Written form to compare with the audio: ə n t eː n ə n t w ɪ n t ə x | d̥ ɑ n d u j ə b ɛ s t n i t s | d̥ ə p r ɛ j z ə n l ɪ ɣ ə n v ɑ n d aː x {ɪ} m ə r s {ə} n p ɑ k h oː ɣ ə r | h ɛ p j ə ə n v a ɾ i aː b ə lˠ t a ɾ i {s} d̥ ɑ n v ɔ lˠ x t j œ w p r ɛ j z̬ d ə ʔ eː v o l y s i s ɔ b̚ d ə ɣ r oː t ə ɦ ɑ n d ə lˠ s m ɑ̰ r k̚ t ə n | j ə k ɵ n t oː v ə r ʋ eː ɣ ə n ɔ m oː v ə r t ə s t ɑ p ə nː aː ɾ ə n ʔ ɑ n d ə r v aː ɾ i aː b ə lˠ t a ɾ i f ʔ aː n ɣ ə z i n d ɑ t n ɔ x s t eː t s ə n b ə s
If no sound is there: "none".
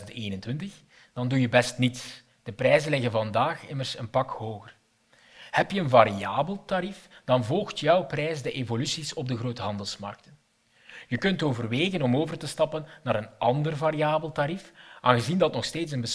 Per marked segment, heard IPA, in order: ɪ, ə, f

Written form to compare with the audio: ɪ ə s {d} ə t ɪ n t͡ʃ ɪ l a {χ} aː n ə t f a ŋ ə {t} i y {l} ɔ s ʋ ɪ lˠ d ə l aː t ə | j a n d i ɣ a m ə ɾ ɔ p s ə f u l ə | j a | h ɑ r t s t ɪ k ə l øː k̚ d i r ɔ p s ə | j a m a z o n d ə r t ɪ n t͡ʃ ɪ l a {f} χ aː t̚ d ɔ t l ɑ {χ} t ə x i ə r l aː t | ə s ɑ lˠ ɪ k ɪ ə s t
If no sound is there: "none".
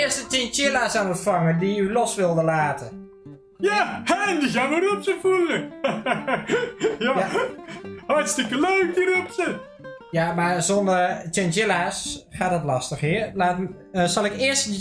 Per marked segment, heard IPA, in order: t, s, d, l, s, s

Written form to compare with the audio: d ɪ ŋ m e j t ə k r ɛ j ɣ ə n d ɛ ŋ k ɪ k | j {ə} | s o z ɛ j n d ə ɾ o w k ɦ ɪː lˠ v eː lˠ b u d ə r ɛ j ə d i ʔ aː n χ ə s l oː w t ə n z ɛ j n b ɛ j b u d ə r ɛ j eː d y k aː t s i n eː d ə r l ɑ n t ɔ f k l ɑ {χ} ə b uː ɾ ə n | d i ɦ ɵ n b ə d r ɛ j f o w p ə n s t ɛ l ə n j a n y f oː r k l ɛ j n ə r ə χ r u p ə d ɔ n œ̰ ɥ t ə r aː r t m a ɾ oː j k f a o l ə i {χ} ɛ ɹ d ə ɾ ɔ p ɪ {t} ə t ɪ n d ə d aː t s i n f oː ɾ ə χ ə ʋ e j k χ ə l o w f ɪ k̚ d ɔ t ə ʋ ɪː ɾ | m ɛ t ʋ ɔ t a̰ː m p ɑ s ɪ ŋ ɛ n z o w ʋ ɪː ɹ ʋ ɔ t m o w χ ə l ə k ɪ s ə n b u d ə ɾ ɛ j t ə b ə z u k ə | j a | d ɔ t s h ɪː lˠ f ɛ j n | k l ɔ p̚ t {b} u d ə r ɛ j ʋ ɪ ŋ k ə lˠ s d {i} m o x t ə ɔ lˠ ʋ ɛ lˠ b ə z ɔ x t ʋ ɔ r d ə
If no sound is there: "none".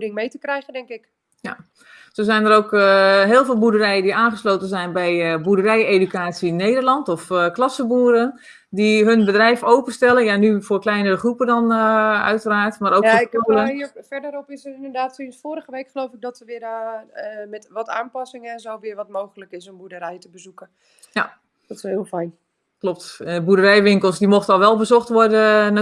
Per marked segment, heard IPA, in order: a, s, f, s, b, i

